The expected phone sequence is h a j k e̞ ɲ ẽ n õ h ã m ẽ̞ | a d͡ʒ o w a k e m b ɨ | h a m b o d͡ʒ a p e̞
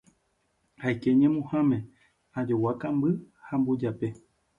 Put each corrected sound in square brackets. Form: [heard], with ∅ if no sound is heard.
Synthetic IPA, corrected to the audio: h a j k e̞ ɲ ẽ [m] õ h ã m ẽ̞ | a d͡ʒ o w a k [a] m b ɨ | h a m b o d͡ʒ a p e̞